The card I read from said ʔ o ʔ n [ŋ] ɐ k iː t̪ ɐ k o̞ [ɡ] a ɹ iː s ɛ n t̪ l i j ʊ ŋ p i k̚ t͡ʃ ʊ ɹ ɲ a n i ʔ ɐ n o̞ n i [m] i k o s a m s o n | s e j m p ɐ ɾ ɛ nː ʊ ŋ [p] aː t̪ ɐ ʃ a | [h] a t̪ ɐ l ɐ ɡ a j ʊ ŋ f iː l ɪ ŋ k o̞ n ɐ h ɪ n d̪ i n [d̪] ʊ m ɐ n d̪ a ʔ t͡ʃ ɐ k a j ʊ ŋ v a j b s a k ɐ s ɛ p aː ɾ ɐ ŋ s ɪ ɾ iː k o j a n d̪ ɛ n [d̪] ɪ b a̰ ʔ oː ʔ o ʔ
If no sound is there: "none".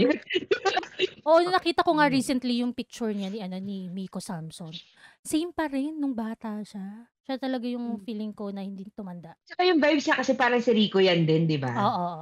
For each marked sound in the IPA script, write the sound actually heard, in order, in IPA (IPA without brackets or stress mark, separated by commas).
n, ŋ, m, b, ʃ, t̪, d̪